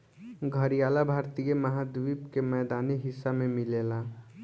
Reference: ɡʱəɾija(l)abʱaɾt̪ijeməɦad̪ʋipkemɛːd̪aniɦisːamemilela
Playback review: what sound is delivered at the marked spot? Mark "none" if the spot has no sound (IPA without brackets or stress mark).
l